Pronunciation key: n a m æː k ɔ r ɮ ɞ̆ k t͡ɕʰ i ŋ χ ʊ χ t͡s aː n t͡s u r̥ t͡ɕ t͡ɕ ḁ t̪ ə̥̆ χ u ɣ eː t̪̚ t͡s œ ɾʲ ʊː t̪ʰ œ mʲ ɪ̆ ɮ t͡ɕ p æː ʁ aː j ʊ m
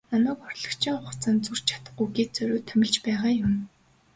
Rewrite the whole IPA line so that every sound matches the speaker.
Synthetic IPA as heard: n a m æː k ɔ r ɮ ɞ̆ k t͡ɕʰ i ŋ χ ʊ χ t͡s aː n t͡s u r̥ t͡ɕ t͡ɕʰ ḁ t̪ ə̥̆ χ u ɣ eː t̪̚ t͡s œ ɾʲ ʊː t̪ʰ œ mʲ ɪ̆ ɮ t͡ɕ p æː ʁ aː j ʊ m